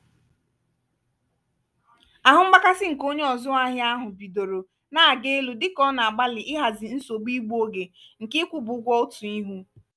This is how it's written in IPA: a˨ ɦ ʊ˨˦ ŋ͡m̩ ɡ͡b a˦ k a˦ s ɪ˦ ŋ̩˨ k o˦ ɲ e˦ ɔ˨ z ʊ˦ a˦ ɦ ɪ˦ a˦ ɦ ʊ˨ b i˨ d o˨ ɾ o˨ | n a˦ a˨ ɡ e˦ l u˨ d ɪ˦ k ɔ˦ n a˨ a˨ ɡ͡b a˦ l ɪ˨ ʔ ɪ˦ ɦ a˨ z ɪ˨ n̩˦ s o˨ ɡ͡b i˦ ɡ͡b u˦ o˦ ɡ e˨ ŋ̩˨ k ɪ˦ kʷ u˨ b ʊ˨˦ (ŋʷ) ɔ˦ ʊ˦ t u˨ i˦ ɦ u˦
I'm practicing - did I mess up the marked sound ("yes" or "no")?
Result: yes